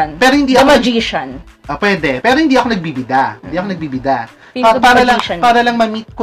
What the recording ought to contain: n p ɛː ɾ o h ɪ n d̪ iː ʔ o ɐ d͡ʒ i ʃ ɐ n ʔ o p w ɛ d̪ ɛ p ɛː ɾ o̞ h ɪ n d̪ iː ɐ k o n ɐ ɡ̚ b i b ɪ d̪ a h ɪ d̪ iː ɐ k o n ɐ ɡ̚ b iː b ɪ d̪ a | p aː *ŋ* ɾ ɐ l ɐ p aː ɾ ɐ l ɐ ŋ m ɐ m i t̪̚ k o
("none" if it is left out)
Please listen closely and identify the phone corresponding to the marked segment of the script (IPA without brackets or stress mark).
none